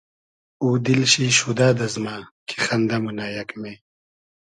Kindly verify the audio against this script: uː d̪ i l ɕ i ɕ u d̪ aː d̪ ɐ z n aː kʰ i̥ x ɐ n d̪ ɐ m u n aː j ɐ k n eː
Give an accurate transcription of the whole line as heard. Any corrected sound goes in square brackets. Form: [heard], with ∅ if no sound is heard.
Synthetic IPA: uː d̪ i l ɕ i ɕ u d̪ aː d̪ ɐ z [m] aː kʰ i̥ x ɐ n d̪ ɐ m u n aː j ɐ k [m] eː